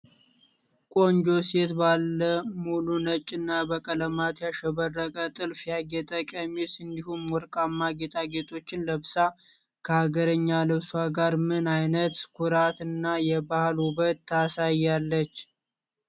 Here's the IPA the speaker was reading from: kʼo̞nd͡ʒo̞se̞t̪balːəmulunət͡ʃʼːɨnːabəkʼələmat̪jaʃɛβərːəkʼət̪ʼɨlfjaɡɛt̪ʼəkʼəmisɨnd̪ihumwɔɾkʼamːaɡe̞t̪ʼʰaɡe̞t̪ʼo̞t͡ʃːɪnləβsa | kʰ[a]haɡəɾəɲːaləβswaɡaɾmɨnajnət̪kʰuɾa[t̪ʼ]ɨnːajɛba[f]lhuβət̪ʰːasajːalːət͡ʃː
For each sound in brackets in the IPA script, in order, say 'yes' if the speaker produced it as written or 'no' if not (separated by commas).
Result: no, no, no